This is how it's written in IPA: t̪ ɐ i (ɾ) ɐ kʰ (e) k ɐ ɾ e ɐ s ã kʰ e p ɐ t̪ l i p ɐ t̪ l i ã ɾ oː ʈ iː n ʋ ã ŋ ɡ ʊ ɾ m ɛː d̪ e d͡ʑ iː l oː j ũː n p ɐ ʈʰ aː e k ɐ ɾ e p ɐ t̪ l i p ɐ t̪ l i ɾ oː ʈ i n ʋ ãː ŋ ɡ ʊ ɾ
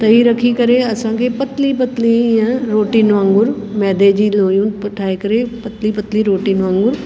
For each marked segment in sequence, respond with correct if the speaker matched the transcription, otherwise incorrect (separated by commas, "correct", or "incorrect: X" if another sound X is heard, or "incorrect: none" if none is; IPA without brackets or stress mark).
correct, incorrect: i